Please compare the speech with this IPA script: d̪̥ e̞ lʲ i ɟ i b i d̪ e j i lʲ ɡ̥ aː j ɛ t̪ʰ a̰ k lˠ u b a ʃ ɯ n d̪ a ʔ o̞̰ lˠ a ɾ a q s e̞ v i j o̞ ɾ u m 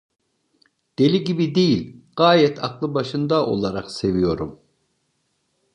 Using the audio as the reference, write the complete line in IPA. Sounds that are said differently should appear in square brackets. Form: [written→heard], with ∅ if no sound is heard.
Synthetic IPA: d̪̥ e̞ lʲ i ɟ i b i d̪ e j i lʲ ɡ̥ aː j ɛ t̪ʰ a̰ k lˠ [u→ɯ] b a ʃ ɯ n d̪ a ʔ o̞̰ lˠ a ɾ a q s e̞ v i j o̞ ɾ u m